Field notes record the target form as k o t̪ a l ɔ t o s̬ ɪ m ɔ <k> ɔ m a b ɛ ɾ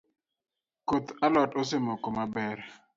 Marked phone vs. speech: correct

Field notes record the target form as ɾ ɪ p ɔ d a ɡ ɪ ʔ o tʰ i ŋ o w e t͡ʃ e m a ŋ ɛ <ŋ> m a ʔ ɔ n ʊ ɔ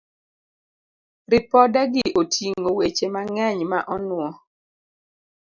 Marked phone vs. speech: incorrect: ɲ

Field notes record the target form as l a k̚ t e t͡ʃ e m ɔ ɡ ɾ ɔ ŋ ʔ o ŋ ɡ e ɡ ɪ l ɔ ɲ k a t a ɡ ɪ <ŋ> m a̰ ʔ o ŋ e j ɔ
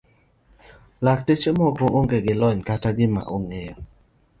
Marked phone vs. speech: incorrect: none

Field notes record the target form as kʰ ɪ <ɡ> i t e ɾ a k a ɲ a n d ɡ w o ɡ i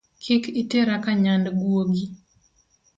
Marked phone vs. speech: incorrect: k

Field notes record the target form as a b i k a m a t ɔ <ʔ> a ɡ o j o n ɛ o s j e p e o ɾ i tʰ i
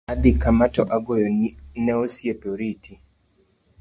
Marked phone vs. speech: correct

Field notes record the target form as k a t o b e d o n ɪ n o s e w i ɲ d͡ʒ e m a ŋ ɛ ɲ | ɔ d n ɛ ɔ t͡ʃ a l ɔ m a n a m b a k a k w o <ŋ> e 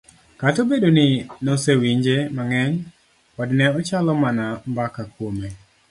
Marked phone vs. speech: incorrect: m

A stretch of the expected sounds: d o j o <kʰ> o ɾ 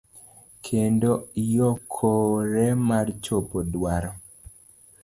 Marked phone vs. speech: correct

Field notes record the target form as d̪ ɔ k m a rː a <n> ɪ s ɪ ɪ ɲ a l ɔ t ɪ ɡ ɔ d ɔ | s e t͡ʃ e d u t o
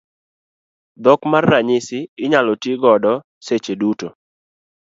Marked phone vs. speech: incorrect: ɲ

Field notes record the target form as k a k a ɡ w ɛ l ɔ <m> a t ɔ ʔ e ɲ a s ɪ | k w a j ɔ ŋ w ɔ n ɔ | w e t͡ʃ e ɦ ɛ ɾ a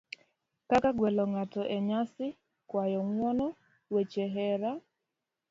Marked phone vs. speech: incorrect: ŋ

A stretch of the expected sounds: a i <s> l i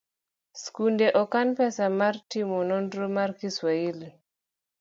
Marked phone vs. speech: incorrect: none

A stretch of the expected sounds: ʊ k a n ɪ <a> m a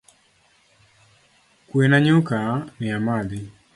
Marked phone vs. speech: correct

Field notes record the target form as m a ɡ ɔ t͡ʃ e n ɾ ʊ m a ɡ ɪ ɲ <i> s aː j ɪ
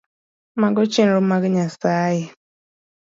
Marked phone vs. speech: incorrect: a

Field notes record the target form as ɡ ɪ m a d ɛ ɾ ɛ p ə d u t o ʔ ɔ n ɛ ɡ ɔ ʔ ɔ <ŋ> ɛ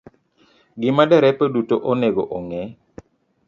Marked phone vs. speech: correct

